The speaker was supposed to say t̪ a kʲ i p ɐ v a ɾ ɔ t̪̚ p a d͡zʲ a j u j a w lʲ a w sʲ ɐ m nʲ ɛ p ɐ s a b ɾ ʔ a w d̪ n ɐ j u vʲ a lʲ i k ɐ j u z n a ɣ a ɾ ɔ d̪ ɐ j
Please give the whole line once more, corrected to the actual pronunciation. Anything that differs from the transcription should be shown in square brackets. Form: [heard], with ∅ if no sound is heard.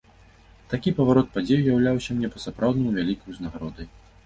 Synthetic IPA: t̪ a kʲ i p ɐ v a ɾ ɔ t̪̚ p a d͡zʲ [e] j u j a w lʲ a w sʲ ɐ m nʲ ɛ p ɐ s a [p] ɾ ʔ a w d̪ n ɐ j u vʲ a lʲ i k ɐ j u z n a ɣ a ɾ ɔ d̪ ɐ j